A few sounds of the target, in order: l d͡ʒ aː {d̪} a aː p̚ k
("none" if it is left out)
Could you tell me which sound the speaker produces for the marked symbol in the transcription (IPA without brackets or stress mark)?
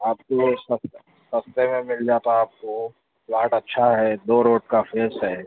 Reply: t̪